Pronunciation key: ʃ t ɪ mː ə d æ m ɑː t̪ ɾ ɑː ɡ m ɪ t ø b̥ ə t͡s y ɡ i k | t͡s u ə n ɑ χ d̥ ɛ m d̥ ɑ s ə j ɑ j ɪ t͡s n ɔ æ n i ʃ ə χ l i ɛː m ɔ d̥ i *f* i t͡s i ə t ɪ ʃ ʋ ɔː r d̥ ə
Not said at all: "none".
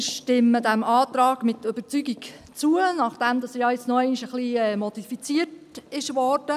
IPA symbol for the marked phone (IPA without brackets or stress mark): f